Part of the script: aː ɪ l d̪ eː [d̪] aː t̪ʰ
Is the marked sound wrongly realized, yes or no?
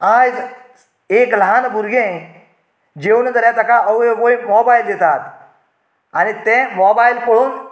yes